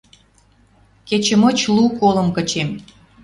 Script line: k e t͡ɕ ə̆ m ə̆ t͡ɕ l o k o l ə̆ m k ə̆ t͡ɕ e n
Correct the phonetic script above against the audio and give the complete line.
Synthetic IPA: k e t͡ɕ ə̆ m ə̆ t͡ɕ l u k o l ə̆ m k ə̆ t͡ɕ e m